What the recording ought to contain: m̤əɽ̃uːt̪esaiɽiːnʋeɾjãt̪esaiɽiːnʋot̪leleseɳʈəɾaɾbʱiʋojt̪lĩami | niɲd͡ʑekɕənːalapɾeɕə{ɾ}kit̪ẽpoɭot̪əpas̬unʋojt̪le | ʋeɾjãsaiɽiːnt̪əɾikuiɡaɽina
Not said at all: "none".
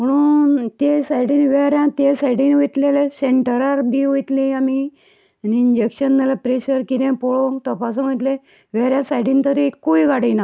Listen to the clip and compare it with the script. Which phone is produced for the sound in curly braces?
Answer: ɾ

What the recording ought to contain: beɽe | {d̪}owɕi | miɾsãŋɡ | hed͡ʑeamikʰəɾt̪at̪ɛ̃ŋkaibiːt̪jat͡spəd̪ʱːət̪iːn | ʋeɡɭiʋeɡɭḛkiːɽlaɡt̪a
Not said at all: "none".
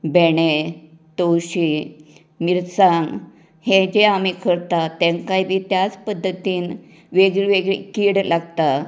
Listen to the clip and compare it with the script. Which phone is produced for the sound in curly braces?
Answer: t̪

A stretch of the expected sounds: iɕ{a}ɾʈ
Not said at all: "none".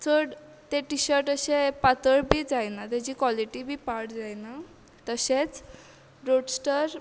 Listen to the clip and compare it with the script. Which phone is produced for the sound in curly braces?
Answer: ə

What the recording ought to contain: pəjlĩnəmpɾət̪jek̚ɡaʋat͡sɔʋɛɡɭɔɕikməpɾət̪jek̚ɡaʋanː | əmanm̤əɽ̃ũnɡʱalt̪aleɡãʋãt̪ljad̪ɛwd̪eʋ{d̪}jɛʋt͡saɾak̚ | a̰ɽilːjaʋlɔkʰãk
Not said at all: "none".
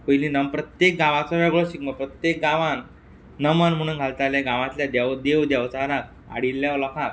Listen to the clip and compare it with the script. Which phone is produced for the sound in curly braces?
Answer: d̪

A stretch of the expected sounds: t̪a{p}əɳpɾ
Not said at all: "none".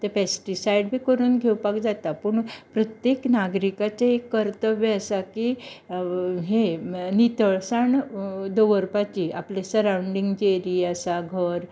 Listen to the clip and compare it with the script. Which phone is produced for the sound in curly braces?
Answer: p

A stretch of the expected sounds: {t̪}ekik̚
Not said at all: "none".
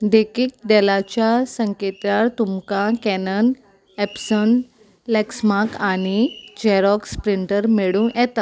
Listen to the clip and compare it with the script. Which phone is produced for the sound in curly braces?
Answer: d̪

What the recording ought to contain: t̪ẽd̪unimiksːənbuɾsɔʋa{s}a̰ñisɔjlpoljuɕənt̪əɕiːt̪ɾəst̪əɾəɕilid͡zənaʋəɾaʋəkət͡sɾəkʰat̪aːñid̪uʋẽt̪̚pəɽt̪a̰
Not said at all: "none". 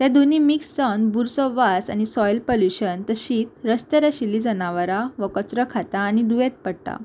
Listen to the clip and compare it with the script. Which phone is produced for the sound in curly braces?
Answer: s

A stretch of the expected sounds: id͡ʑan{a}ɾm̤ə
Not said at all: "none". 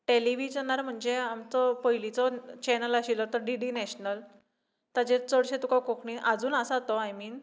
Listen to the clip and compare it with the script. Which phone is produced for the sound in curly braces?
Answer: a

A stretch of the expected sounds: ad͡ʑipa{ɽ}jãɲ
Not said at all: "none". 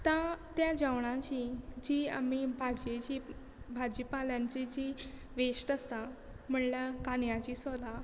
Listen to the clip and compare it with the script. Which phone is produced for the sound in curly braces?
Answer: l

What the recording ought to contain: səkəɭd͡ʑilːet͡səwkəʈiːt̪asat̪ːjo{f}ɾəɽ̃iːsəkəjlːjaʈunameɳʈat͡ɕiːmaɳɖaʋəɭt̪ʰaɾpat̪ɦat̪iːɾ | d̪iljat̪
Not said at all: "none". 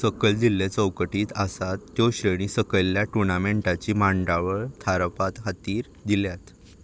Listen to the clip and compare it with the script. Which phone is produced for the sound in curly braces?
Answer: ɕ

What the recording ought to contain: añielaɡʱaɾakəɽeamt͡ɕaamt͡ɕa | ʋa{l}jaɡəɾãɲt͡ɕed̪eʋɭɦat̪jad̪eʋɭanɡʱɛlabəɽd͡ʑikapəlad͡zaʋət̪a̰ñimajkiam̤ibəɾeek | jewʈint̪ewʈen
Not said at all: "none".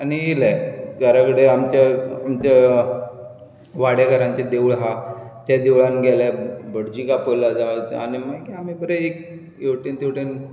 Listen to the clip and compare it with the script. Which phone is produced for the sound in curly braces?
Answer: ɽ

